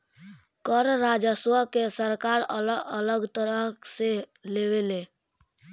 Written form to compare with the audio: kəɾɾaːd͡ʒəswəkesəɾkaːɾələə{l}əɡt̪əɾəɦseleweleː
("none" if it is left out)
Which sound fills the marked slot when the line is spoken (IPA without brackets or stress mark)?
l